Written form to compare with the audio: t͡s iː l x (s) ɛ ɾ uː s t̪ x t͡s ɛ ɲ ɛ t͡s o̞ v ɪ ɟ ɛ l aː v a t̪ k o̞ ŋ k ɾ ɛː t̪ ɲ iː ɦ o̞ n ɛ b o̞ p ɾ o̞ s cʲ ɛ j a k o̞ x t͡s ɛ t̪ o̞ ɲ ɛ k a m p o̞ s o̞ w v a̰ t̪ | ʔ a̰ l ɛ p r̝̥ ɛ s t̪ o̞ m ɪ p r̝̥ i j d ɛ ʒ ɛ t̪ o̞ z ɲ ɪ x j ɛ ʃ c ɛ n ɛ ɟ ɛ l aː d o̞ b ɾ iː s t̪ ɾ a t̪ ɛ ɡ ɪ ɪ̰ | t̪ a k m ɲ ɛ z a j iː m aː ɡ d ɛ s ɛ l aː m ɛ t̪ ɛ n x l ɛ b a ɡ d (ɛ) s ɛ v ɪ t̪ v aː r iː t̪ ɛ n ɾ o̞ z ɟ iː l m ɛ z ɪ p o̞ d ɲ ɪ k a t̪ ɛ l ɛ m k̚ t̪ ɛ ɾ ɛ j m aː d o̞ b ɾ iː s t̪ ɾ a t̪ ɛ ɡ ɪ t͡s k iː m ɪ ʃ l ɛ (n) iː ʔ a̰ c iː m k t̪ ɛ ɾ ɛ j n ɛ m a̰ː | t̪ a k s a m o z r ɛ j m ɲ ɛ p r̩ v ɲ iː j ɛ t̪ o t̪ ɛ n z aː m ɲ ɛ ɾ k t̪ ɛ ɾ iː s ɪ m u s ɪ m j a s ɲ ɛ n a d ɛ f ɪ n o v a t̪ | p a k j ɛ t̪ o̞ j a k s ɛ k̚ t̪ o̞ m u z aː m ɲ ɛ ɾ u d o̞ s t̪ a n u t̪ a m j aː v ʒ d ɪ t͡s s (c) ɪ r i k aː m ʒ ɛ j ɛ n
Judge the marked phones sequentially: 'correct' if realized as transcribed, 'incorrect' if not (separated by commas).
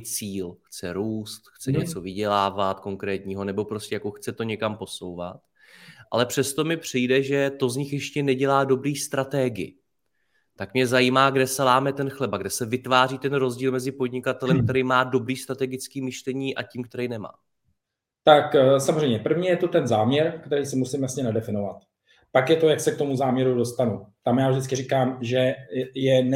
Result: incorrect, correct, incorrect, incorrect